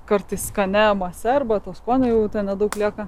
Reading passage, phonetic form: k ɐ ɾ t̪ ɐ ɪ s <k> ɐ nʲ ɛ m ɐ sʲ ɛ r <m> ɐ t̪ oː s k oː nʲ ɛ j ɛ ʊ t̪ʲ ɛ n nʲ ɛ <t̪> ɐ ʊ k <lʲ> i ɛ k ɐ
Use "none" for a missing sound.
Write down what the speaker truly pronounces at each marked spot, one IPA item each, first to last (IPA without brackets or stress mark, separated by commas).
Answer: k, b, d̪, lʲ